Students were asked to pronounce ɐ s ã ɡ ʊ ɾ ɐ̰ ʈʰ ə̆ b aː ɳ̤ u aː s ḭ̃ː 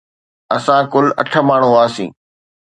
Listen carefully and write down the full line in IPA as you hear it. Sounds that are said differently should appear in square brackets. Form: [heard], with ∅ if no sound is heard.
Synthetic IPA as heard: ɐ s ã [k] ʊ [l] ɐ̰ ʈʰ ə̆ [m] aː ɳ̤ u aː s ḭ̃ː